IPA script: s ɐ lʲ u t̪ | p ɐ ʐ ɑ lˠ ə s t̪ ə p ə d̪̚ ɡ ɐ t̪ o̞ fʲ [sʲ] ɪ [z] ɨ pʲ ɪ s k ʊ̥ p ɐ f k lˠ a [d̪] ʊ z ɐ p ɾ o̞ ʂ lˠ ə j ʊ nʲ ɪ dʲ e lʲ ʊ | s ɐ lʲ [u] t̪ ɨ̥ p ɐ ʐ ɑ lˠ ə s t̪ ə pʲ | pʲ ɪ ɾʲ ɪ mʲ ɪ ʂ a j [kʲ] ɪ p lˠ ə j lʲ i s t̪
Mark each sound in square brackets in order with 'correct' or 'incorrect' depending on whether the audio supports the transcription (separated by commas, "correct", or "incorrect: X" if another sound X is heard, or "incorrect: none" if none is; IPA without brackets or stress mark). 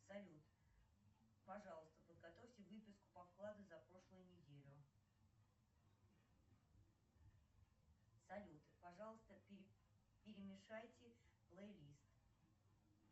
incorrect: tʲ, incorrect: v, correct, correct, incorrect: tʲ